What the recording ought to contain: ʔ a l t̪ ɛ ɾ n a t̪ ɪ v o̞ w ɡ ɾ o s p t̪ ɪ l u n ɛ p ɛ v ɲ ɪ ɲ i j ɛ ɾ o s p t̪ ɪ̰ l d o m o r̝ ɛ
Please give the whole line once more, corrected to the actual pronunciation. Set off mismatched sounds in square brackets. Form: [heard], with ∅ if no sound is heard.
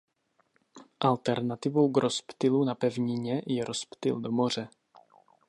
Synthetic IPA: ʔ a l t̪ ɛ ɾ n a t̪ ɪ v o̞ w ɡ ɾ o s p t̪ ɪ l u n [a] p ɛ v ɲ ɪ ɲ [ɛ] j ɛ ɾ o s p t̪ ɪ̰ l d o m o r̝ ɛ